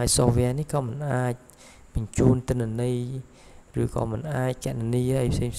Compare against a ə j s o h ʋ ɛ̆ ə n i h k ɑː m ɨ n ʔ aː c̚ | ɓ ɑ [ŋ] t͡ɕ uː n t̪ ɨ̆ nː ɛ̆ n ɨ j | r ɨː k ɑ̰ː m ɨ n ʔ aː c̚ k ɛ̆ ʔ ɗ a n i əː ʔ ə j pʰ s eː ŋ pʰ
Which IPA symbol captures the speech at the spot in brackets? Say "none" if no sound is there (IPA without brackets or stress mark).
ɲ